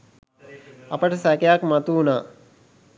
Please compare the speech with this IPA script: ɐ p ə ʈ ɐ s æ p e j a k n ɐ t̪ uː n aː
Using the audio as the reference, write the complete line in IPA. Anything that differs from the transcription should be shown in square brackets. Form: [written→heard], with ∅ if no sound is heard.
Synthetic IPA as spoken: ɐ p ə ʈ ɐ s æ [p→k] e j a k [n→m] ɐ t̪ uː n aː